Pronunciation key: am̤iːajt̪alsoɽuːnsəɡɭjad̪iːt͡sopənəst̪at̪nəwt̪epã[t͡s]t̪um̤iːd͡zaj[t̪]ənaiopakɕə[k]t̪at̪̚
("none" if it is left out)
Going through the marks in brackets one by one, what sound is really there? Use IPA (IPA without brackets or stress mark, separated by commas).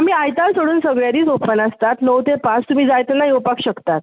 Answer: t͡s, t̪, k